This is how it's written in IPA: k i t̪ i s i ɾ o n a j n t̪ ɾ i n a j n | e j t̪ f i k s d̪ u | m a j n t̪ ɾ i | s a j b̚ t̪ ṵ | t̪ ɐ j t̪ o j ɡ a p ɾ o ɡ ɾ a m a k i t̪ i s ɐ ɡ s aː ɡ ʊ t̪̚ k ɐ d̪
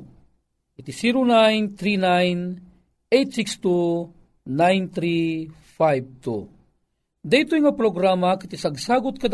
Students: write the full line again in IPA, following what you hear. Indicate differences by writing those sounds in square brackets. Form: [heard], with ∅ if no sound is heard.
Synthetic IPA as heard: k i t̪ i s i ɾ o n a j n t̪ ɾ i n a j n | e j t̪ [s] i k s [t̪] u | [n] a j n t̪ ɾ i | [f] a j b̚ t̪ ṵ | [d̪] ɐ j t̪ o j [ŋ] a p ɾ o ɡ ɾ a m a k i t̪ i s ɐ ɡ s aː ɡ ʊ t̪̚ k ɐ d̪